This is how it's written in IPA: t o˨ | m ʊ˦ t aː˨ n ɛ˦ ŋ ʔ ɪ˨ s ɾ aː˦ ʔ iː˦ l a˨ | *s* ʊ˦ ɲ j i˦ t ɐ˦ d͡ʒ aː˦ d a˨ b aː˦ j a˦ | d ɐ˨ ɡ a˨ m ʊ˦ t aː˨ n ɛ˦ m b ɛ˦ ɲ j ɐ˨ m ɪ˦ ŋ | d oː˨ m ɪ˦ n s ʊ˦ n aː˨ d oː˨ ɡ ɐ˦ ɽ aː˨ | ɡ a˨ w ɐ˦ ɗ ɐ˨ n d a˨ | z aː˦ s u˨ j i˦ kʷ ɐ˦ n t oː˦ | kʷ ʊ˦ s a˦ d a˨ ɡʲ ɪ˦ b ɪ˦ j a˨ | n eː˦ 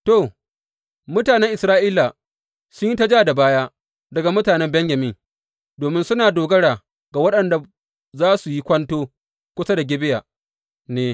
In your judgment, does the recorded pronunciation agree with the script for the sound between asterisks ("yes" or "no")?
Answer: yes